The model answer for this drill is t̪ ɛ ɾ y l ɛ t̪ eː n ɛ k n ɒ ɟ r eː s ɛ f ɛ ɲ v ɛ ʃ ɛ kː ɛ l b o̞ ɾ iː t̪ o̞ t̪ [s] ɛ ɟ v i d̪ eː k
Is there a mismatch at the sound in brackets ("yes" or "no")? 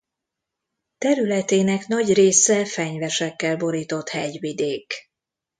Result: yes